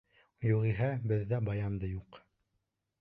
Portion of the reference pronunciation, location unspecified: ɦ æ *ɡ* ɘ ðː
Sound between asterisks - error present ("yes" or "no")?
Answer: yes